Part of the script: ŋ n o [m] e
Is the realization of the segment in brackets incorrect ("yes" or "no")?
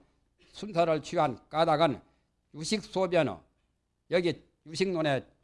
yes